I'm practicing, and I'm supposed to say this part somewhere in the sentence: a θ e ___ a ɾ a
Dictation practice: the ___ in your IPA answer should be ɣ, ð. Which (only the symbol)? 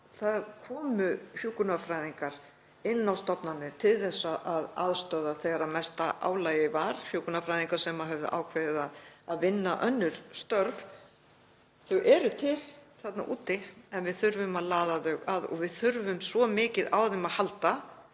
ɣ